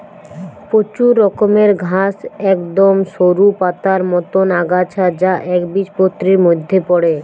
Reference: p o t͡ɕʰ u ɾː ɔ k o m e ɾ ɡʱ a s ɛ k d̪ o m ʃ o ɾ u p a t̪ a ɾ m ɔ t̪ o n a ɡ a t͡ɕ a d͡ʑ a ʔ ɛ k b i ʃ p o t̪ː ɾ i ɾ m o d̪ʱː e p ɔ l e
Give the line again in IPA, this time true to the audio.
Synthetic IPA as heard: p o t͡ɕ u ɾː ɔ k o m e ɾ ɡʱ a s ɛ k d̪ o m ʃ o ɾ u p a t̪ a ɾ m ɔ t̪ o n a ɡ a t͡ɕʰ a d͡ʑ a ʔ ɛ k b i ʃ p o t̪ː ɾ i ɾ m o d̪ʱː e p ɔ ɽ e